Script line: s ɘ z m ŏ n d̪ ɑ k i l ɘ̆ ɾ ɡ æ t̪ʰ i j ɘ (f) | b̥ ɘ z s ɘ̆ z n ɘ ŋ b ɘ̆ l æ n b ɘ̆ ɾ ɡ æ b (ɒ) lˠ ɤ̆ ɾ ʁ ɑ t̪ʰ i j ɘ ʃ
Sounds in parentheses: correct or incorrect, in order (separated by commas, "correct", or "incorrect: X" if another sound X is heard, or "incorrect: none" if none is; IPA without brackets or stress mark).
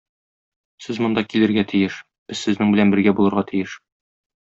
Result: incorrect: ʃ, incorrect: u